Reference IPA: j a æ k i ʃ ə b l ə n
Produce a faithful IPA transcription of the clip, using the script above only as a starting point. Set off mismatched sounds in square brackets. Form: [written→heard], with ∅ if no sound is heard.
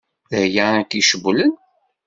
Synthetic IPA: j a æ k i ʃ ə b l ə n

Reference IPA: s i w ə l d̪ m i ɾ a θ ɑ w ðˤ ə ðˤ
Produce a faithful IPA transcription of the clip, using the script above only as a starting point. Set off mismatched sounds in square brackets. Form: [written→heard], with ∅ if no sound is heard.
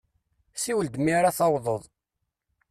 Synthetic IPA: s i w ə l d̪ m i ɾ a θ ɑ w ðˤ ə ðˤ

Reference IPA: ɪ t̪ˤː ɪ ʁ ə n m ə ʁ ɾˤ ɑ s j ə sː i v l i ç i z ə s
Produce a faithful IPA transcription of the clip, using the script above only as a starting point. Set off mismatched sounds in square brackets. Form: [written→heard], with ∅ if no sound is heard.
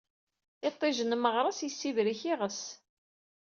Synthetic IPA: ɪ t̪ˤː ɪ [ʁ→ʒ] ə n m ə ʁ ɾˤ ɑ s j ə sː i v [l→ɾ] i ç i [z→ʁ] ə s

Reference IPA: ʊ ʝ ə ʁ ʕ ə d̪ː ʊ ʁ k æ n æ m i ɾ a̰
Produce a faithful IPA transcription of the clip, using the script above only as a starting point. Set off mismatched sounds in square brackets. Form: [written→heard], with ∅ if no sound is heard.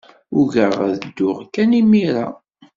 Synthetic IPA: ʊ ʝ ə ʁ [ʕ→ð] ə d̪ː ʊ ʁ k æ n [æ→i] m i ɾ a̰

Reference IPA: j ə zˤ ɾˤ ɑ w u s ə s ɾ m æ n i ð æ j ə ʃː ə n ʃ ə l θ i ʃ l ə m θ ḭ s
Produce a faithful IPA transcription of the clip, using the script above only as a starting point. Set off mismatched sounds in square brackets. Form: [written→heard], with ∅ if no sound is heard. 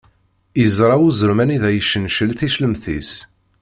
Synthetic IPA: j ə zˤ ɾˤ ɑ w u [s→z] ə [s→∅] ɾ m æ n i ð æ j ə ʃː ə n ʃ ə l θ i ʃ l ə m θ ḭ s

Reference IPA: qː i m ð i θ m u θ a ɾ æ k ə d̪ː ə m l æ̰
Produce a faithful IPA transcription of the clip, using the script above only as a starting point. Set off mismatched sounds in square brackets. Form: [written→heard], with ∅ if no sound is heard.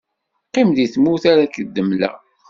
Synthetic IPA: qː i m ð i θ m u θ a ɾ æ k ə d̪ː ə m l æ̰

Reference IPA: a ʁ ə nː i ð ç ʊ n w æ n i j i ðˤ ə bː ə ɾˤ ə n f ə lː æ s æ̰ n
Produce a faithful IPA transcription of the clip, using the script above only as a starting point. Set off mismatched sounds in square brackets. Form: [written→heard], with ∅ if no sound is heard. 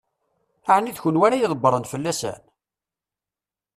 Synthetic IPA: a [ʁ→ʕ] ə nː i ð ç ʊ n w æ n [i→æ] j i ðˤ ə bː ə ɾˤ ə n f ə lː æ s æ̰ n

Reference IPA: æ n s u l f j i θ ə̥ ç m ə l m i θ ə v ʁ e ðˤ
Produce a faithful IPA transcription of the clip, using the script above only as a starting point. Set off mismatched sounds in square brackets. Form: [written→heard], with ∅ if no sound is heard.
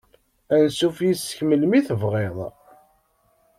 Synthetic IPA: æ n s u [l→∅] f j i [θ→s] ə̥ ç m ə l m i θ ə v ʁ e ðˤ

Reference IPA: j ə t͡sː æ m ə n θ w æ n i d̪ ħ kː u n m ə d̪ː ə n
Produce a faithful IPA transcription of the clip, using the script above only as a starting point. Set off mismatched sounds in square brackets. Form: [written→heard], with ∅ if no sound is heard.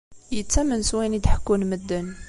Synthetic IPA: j ə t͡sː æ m ə n [θ→s] w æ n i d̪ ħ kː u n m ə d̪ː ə n

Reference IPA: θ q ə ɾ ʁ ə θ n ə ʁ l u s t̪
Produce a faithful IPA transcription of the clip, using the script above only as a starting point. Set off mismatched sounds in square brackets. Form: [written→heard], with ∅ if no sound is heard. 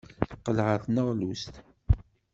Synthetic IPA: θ q ə [ɾ→l] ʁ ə θ n ə ʁ l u s t̪

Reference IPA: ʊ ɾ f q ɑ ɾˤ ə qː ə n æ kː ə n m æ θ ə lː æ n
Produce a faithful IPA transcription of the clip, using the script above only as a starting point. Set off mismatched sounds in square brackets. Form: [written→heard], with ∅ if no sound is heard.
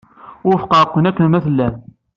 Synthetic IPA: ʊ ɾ f q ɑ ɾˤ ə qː ə n æ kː ə n m æ θ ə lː æ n

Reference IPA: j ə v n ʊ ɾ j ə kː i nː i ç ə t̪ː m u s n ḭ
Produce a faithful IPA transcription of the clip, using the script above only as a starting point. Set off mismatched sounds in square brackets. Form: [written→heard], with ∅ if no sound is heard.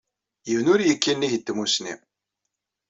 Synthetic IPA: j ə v n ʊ ɾ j ə kː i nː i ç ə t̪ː m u s n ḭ

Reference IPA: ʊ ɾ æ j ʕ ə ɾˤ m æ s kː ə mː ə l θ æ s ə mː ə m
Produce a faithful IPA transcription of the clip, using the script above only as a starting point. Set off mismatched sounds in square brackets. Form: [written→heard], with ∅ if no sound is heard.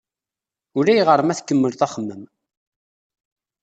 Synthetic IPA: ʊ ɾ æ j [ʕ→ʁ] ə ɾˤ m æ [s→θ] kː ə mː ə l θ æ [s→χ] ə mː ə m

